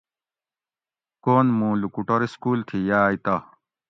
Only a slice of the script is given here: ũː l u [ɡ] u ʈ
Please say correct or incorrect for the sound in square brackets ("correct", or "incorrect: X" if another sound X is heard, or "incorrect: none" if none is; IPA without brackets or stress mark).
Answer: incorrect: k